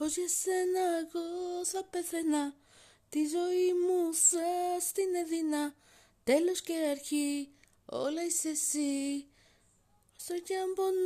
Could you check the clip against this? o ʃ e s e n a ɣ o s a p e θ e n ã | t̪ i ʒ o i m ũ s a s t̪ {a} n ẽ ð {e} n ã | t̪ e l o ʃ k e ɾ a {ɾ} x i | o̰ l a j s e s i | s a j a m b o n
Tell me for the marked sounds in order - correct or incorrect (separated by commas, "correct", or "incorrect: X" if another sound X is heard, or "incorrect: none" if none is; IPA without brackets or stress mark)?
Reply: incorrect: i, incorrect: i, correct